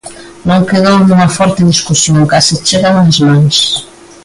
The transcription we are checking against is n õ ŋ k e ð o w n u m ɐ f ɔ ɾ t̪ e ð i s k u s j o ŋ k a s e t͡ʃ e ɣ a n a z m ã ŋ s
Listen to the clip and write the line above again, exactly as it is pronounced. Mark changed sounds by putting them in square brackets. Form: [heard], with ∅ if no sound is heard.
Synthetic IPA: n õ ŋ k e ð o w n u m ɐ f ɔ ɾ t̪ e ð i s k u s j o ŋ k a s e t͡ʃ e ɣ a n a z m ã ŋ s